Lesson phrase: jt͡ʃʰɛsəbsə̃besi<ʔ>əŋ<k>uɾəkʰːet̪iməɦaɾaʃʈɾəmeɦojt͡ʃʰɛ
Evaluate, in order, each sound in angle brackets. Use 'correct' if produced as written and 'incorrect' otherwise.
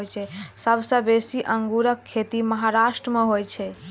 correct, incorrect: ɡ

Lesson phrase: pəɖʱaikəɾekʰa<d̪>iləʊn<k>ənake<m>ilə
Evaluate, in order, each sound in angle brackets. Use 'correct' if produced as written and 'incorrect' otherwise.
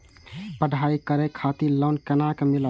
incorrect: t̪, correct, correct

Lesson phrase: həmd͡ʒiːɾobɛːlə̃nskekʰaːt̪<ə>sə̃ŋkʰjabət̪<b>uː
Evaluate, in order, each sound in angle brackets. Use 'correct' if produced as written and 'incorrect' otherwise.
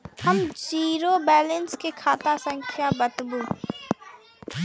incorrect: a, correct

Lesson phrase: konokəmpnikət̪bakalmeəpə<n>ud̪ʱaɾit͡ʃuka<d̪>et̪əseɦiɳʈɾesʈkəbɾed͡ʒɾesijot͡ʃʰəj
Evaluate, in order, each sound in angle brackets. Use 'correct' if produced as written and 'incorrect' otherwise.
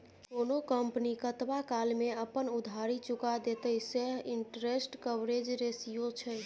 correct, correct

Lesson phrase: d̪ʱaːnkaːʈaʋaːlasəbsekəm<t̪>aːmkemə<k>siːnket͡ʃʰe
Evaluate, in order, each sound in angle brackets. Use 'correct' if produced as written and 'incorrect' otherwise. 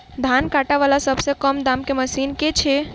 incorrect: d̪, incorrect: none

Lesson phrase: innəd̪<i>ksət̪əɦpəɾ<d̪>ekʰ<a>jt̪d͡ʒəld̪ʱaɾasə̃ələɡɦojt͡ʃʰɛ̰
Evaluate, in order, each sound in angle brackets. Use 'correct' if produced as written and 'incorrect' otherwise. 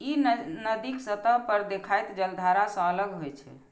correct, correct, correct

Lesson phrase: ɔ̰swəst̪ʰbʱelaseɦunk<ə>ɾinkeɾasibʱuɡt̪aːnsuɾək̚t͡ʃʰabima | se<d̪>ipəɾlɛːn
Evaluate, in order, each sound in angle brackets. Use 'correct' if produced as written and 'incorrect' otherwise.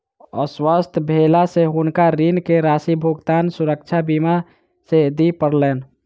incorrect: a, correct

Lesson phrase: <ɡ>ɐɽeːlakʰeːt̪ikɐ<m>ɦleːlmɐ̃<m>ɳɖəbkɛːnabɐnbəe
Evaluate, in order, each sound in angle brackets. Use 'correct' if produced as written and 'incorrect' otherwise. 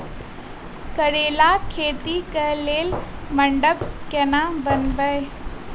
incorrect: k, incorrect: none, incorrect: none

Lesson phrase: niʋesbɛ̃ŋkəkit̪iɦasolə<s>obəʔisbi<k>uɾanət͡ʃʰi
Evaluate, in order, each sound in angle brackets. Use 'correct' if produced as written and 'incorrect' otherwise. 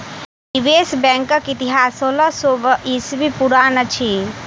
correct, incorrect: p

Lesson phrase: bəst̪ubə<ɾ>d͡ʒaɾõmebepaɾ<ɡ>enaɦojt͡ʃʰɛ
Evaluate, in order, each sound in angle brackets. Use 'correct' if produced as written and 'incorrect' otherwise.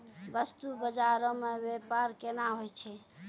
incorrect: none, incorrect: k

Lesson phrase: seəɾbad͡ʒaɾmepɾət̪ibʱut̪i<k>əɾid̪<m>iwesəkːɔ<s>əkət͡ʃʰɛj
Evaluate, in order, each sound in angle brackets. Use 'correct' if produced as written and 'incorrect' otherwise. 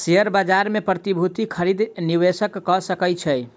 incorrect: kʰ, incorrect: n, correct

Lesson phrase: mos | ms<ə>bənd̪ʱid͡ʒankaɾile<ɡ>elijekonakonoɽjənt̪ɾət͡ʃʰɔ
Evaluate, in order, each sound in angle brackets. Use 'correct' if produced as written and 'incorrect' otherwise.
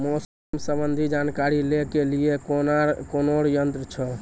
correct, incorrect: k

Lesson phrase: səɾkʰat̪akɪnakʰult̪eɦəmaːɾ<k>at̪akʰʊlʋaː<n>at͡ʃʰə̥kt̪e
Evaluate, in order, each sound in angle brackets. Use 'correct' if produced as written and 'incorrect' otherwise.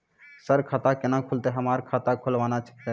incorrect: kʰ, correct

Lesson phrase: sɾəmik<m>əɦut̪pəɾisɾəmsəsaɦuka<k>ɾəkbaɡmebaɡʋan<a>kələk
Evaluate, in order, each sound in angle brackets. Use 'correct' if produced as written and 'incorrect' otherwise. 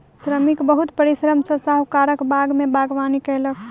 incorrect: b, incorrect: none, incorrect: i

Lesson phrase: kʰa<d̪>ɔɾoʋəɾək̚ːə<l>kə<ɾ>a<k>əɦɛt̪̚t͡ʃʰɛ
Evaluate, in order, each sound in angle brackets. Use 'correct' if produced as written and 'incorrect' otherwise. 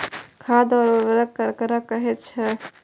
correct, incorrect: ɾ, correct, correct

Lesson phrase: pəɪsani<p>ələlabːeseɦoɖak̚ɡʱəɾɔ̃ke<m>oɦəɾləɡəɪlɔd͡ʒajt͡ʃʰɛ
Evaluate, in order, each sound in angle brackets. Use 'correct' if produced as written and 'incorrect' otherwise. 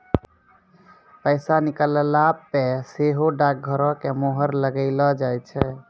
incorrect: k, correct

